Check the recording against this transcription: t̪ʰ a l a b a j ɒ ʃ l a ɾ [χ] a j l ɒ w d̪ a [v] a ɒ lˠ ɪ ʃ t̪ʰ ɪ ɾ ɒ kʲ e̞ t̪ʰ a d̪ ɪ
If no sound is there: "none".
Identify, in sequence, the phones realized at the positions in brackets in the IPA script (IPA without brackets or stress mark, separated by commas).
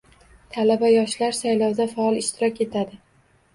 s, f